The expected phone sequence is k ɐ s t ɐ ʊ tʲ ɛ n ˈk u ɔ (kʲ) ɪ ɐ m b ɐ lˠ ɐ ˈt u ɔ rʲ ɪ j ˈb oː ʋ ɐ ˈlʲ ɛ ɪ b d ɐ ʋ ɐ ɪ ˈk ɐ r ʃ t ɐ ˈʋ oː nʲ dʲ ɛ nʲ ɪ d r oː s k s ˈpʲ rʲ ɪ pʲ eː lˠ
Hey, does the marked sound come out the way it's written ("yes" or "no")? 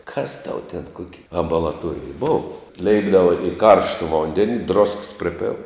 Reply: yes